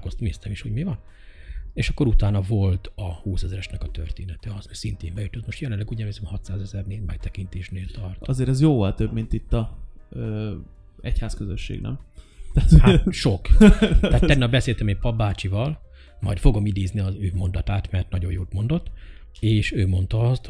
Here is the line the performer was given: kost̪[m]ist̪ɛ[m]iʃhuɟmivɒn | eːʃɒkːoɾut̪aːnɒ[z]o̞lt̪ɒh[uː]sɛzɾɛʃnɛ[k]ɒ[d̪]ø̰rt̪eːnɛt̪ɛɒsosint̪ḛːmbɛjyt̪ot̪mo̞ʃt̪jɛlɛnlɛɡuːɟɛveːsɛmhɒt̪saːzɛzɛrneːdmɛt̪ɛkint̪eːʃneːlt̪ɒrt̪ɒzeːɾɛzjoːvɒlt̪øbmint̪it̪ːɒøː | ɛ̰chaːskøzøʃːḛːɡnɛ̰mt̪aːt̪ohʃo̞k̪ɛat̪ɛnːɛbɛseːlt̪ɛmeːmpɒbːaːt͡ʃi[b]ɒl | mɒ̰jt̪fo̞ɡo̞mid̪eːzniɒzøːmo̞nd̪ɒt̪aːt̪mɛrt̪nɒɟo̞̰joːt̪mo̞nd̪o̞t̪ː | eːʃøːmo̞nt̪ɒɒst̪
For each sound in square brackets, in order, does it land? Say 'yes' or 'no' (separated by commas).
yes, yes, no, yes, yes, no, no